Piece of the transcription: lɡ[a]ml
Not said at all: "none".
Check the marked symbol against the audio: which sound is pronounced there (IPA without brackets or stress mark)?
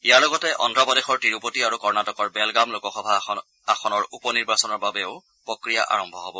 a